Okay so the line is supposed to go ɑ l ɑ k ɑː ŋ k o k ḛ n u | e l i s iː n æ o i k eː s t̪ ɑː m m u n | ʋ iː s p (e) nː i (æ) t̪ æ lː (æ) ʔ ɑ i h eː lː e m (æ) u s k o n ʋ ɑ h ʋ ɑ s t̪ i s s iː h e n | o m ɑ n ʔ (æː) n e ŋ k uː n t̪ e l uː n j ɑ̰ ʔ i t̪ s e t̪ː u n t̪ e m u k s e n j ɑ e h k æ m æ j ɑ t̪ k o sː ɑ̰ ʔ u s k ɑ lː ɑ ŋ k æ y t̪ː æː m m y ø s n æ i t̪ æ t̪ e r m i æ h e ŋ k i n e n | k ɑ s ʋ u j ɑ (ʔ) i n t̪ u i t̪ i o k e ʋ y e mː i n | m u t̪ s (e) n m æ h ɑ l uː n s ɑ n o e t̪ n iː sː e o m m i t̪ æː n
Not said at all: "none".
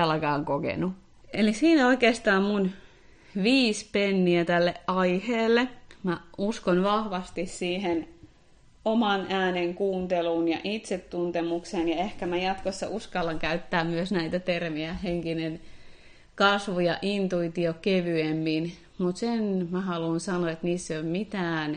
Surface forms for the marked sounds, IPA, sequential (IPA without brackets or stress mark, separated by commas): e, æ, e, æ, æː, ʔ, e